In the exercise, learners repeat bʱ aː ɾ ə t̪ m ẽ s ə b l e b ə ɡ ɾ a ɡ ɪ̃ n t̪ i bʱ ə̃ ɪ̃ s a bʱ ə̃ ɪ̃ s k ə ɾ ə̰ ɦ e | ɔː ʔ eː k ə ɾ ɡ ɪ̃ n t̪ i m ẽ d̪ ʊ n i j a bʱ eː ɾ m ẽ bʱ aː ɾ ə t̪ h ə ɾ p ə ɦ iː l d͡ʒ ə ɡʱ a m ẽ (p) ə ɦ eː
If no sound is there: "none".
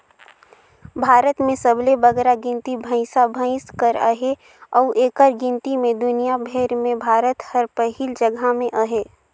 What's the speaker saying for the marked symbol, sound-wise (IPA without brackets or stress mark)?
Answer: ʔ